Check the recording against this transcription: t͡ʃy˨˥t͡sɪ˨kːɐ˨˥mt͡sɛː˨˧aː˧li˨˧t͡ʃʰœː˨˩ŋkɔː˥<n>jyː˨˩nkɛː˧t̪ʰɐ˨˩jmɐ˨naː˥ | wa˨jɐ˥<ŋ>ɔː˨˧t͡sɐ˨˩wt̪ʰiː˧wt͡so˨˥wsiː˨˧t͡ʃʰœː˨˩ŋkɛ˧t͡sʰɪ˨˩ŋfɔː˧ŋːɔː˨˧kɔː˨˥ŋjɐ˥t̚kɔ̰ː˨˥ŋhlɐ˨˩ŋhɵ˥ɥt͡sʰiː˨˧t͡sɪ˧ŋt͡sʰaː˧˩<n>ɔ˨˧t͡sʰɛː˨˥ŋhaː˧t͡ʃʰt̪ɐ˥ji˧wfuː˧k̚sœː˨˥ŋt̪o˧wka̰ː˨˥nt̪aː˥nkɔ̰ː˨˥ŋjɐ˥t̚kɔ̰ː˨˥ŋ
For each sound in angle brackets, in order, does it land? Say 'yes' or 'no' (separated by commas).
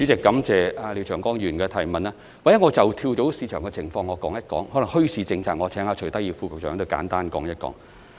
no, yes, no